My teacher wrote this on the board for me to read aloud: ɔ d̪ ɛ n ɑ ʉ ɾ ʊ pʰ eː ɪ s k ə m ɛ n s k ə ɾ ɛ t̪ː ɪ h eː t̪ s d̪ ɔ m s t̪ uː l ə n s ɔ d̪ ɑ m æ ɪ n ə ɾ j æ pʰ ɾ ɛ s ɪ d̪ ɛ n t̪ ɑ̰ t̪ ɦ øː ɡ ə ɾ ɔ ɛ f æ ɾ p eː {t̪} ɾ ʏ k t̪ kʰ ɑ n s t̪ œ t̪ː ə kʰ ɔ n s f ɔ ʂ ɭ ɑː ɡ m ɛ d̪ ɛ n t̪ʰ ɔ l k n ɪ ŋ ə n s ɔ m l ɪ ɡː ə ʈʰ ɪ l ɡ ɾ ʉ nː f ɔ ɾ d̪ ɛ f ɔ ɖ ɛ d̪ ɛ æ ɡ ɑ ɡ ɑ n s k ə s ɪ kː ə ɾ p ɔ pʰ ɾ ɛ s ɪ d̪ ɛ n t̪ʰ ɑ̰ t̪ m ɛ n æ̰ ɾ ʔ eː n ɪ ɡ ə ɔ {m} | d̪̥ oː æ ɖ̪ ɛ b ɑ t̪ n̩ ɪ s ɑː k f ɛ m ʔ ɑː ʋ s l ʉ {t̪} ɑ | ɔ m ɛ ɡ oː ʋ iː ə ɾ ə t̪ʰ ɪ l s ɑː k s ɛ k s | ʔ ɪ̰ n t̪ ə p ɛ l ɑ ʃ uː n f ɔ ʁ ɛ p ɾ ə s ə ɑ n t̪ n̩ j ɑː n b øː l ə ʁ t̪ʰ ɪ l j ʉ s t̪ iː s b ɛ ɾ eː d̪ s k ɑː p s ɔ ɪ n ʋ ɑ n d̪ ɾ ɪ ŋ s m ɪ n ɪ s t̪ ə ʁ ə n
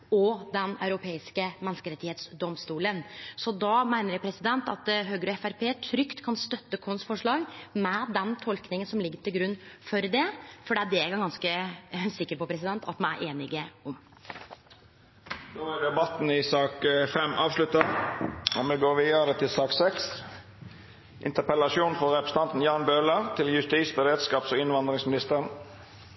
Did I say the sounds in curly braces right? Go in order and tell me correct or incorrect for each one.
incorrect: t̪ʰ, correct, correct

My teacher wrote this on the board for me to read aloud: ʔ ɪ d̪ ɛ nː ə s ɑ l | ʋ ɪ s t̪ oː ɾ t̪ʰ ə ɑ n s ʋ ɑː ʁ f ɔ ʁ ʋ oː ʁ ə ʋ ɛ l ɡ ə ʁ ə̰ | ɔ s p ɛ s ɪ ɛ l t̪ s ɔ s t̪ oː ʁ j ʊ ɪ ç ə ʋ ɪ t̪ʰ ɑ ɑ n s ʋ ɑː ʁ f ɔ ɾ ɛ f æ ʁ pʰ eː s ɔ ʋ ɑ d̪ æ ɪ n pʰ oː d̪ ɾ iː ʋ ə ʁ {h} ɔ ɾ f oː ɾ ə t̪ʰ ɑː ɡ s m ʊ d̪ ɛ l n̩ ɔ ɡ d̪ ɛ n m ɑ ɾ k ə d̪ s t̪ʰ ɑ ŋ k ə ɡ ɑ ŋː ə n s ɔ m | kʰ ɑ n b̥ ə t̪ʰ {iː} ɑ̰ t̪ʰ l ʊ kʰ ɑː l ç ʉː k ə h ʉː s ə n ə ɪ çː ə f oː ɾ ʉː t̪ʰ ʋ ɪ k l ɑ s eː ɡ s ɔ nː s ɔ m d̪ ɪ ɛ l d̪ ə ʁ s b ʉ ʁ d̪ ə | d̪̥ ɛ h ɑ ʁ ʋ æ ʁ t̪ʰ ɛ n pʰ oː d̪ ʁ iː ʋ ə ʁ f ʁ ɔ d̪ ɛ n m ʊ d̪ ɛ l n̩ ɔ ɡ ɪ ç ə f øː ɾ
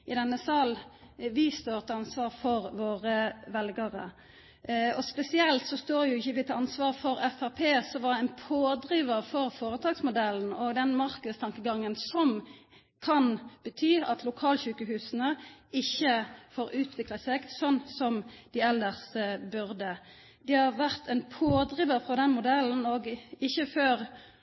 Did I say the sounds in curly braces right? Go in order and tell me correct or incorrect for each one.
incorrect: f, incorrect: yː

